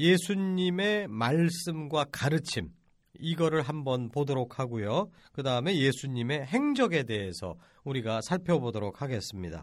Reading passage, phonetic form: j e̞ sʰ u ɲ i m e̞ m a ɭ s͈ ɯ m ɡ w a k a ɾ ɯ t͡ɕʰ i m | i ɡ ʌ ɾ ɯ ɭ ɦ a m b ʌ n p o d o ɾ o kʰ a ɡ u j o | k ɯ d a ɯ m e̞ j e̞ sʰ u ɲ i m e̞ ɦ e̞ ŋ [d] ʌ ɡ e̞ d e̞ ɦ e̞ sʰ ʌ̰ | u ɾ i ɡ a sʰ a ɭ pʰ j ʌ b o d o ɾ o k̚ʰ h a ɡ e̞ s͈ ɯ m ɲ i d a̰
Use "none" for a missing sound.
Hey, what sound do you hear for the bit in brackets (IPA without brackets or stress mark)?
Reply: d͡ʑ